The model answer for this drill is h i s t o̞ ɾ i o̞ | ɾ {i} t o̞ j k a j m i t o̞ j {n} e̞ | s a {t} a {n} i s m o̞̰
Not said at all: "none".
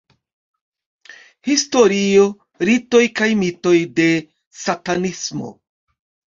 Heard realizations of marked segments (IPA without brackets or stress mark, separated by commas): i, d, t, n